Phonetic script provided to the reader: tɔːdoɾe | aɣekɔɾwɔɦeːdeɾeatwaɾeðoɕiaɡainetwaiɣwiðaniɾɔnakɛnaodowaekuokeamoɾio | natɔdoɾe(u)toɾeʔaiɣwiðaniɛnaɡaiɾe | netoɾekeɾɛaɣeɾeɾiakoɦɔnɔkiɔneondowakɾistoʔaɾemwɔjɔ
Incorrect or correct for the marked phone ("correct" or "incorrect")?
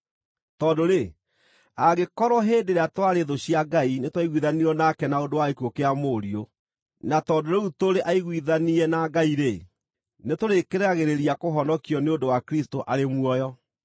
correct